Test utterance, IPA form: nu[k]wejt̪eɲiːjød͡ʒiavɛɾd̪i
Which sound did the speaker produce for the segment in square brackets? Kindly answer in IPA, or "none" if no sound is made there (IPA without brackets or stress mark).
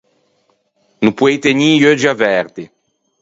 p